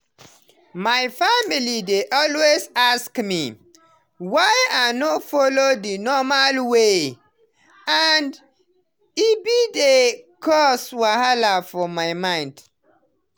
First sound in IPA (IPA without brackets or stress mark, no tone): m